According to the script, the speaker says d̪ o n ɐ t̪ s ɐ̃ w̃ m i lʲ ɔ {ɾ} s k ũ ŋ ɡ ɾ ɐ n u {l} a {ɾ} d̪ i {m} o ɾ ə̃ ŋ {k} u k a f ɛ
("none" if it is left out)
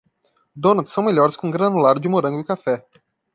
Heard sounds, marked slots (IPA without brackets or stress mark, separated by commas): ɾ, l, ɾ, m, ɡ